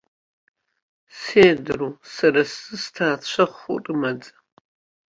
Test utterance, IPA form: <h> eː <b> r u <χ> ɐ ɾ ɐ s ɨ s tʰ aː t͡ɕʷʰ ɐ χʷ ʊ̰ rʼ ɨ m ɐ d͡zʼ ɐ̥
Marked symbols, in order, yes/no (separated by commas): no, no, no